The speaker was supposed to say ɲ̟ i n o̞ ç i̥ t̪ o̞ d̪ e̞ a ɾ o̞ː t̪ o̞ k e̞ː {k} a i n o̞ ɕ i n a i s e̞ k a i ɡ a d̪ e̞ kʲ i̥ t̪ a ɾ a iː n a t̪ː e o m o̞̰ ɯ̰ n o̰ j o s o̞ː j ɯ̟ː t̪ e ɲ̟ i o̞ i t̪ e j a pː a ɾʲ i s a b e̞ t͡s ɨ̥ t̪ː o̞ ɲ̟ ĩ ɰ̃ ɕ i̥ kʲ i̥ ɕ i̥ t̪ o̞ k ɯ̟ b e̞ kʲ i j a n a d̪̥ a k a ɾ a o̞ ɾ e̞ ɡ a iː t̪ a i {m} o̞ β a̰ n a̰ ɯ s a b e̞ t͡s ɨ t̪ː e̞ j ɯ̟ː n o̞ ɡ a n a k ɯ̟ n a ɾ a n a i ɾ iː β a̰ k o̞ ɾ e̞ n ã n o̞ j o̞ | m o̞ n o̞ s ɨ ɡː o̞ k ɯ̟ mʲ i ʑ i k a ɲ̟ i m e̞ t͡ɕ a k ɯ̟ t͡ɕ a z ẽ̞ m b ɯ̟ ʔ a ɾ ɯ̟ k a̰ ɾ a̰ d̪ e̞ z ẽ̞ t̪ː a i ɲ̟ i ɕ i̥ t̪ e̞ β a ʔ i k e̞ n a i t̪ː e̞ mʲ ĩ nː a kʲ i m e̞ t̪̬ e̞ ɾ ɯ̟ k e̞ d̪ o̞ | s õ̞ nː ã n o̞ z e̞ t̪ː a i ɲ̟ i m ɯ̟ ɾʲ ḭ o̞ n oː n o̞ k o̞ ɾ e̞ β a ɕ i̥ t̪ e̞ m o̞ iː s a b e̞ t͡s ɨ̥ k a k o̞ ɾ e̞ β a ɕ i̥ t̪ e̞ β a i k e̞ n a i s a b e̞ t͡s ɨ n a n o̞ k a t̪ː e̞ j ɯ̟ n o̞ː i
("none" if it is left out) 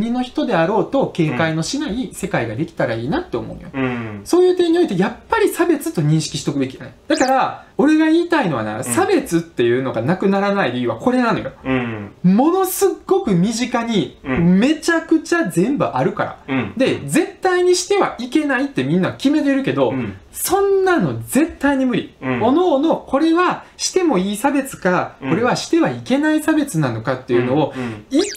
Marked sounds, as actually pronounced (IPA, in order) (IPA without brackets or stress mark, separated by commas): k, n